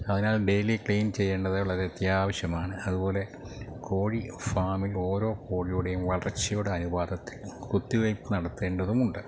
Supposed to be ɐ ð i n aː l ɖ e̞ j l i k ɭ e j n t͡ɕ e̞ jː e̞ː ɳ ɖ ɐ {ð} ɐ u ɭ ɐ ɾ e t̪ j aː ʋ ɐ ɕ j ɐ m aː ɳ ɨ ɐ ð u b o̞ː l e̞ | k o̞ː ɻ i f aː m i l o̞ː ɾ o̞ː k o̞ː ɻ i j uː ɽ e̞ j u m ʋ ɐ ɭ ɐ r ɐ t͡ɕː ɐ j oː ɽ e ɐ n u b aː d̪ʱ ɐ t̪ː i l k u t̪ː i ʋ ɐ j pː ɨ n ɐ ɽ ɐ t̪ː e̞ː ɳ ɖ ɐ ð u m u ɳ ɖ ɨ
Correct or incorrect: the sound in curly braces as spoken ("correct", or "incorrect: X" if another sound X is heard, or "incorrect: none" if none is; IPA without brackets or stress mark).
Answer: correct